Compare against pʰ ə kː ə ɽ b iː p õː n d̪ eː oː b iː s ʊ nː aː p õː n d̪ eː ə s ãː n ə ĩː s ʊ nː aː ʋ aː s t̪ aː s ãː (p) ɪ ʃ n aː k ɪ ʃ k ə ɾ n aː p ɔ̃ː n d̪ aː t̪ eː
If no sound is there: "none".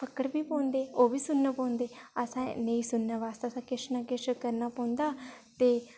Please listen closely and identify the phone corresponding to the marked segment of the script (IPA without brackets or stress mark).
k